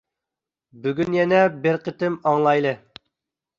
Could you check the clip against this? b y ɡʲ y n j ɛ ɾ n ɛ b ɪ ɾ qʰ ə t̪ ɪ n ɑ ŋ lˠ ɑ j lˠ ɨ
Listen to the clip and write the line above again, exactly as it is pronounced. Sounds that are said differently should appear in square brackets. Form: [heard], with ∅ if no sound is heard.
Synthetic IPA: b y ɡʲ y n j ɛ [∅] n ɛ b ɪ ɾ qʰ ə t̪ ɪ [m] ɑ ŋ lˠ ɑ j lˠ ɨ